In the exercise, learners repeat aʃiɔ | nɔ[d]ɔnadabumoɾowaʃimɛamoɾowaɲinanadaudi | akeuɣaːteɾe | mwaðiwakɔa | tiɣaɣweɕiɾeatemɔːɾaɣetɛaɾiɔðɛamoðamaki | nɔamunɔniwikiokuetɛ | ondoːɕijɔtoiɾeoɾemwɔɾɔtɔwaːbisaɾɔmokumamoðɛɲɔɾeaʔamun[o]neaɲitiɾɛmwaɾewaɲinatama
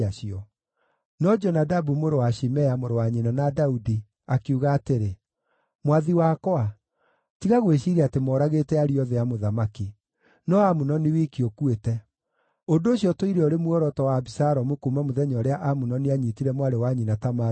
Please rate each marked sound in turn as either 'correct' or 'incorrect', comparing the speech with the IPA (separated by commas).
incorrect, incorrect